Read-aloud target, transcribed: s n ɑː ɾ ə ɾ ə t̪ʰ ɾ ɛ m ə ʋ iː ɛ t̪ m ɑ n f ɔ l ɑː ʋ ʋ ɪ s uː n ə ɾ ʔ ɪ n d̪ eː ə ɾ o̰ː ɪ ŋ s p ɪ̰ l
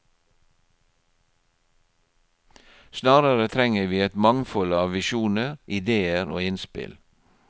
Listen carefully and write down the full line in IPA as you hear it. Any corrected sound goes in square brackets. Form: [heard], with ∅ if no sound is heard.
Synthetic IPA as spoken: s n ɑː ɾ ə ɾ ə t̪ʰ ɾ ɛ [ŋ] ə ʋ iː ɛ t̪ m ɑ [ŋ] f ɔ l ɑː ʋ ʋ ɪ [ʃ] uː n ə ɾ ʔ ɪ [∅] d̪ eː ə ɾ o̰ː ɪ [n] s p ɪ̰ l